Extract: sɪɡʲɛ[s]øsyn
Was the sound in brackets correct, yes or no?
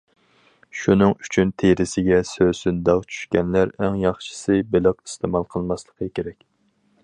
yes